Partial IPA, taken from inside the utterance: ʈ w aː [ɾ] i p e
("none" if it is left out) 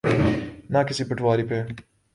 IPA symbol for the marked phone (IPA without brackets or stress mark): ɾ